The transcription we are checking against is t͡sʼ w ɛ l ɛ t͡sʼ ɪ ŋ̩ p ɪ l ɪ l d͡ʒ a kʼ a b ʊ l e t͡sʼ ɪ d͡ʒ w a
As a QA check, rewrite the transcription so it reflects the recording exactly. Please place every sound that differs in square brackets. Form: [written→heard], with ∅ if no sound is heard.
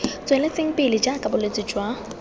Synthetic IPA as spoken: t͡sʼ w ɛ l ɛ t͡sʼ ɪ ŋ̩ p ɪ l ɪ [l→∅] d͡ʒ a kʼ a b ʊ l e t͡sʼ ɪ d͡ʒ w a

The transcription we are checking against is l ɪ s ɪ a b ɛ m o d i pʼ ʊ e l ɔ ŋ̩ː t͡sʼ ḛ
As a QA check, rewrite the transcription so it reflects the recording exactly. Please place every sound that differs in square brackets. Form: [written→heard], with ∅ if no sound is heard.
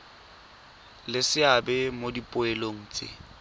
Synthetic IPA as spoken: l ɪ s ɪ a b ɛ m o d i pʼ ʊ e l [ɔ→o] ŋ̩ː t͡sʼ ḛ

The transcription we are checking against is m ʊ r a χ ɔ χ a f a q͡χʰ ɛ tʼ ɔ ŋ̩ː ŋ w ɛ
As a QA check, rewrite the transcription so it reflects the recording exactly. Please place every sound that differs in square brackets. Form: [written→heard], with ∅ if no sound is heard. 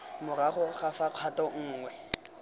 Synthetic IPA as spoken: m ʊ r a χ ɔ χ a f a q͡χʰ [ɛ→a] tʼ ɔ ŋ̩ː ŋ w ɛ

